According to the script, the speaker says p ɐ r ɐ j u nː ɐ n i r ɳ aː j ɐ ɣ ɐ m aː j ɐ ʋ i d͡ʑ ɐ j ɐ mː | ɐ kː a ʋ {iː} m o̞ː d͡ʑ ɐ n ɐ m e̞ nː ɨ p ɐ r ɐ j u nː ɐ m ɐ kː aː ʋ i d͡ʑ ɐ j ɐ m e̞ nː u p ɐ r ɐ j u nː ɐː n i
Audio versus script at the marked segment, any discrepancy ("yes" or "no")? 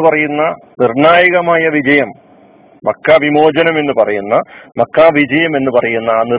yes